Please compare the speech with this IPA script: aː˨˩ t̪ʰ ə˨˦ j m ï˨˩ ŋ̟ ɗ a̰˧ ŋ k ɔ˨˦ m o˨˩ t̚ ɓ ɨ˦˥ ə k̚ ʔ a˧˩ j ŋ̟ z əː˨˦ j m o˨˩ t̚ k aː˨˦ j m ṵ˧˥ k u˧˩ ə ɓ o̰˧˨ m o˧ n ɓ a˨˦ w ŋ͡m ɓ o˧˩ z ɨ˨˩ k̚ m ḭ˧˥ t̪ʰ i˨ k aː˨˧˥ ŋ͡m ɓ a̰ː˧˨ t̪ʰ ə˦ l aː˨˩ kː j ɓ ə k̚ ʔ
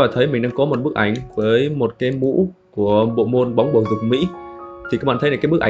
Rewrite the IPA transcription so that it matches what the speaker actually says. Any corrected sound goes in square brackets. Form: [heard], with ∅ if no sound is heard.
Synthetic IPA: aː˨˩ t̪ʰ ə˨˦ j m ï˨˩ ŋ̟ ɗ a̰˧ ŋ k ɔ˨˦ m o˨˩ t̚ ɓ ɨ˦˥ ə k̚ ʔ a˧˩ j ŋ̟ [v] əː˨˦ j m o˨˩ t̚ k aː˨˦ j m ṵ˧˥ k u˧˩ ə ɓ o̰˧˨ m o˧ n ɓ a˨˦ w ŋ͡m ɓ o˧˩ z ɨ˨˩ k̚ m ḭ˧˥ t̪ʰ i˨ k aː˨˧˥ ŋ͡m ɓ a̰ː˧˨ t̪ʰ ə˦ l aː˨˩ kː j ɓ ə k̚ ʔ